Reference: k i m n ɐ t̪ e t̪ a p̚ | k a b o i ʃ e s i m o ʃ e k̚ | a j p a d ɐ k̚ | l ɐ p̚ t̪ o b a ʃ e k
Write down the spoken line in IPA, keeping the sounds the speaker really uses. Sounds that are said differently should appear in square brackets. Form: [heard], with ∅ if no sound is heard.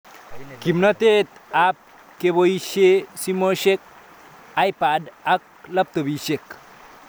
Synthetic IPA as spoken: k i m n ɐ t̪ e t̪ a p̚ | k [e] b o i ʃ e s i m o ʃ e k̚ | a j p a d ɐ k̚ | l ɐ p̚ t̪ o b [i] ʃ e k